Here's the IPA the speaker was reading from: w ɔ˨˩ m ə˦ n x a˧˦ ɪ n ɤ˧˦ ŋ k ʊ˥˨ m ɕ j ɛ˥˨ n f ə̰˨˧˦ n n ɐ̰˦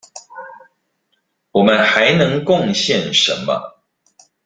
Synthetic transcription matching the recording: w ɔ˨˩ m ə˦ n x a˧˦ ɪ n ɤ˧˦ ŋ k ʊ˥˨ ŋ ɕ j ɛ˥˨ n ʂ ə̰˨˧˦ n m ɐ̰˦